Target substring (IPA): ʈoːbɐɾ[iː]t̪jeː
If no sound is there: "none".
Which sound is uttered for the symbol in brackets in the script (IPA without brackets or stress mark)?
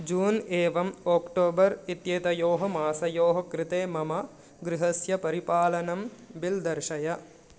i